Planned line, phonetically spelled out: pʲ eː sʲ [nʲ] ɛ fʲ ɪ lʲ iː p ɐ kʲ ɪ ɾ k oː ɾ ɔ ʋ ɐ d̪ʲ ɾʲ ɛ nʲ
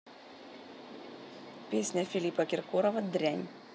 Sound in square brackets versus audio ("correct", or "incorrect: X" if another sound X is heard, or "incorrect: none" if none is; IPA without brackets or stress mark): correct